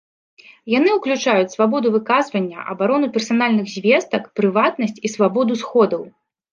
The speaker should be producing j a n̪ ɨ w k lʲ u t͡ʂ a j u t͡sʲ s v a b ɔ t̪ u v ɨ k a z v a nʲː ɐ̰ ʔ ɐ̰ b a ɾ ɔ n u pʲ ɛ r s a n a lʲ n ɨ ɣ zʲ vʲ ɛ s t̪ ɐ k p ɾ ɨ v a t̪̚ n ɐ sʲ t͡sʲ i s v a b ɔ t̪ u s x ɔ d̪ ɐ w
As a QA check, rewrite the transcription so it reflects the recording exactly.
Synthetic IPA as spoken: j a n̪ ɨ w k lʲ u t͡ʂ a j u t͡sʲ s v a b ɔ d̪ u v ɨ k a z v ɐ nʲː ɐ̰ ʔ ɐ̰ b a ɾ ɔ n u pʲ ɛ r s a n a lʲ n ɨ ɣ zʲ vʲ ɛ s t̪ ɐ k p ɾ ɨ v a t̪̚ n ɐ sʲ t͡sʲ i s v a b ɔ d̪ u s x ɔ d̪ ɐ w